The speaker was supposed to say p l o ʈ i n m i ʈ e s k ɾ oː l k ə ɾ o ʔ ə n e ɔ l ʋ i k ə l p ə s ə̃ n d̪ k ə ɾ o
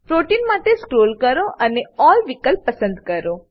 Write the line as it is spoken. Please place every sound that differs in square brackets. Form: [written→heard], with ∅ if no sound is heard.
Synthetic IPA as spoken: p [l→ɾ] o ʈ i n m [i→a] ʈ e s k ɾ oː l k ə ɾ o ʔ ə n e ɔ l ʋ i k ə l p ə s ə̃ n d̪ k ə ɾ o